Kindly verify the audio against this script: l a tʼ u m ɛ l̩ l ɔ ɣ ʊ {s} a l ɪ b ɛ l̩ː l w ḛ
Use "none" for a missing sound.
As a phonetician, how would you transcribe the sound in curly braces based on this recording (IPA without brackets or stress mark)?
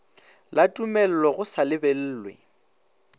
s